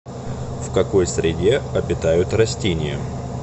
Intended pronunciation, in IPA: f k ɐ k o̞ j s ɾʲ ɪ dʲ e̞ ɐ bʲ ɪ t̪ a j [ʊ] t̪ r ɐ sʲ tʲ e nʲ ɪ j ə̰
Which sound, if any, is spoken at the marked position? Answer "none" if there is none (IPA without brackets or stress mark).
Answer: ʊ